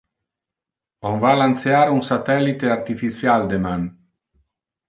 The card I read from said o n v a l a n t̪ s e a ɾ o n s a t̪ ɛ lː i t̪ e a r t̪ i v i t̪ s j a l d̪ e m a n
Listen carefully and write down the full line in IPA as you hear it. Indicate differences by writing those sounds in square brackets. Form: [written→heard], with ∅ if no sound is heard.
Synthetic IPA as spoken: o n v a l a n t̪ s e a ɾ [o→u] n s a t̪ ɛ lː i t̪ e a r t̪ i [v→f] i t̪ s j a l d̪ e m a n